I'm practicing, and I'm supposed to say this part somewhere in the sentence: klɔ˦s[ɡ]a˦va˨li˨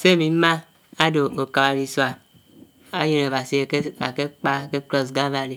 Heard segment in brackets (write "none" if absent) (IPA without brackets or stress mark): ɡ